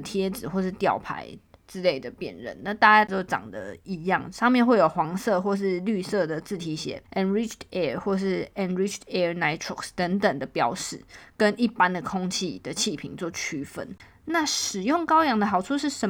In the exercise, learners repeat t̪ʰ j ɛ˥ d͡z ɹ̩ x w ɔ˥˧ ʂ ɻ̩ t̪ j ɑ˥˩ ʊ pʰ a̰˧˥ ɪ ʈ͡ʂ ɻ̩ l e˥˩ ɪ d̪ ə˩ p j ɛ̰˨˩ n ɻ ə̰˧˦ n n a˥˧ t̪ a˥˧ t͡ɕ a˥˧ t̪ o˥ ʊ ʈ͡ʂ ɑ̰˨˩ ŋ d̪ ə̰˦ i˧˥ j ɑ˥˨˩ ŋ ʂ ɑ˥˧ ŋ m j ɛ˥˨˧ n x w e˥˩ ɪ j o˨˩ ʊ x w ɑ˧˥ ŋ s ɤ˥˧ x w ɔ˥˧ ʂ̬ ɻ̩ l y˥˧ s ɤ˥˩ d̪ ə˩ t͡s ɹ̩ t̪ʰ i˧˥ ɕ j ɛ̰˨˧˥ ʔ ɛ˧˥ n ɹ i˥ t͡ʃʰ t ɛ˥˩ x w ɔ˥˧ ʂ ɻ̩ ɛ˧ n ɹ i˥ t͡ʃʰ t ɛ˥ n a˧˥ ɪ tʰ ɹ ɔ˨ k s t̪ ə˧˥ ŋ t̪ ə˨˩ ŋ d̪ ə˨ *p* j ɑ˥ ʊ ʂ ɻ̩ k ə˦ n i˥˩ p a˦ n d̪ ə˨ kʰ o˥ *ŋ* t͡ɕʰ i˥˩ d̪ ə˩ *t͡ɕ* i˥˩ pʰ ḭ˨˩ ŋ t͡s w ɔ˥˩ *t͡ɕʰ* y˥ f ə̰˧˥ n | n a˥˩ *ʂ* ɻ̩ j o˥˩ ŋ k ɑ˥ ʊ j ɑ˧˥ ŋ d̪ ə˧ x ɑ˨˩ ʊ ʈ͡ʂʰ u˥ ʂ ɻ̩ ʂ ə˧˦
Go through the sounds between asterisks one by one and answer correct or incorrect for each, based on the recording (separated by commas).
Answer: correct, correct, incorrect, correct, correct